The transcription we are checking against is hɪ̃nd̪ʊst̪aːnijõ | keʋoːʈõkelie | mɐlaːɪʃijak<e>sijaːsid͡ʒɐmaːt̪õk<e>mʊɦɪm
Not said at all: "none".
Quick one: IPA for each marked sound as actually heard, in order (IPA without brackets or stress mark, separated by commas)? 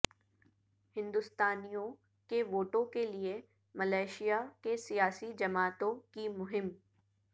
e, i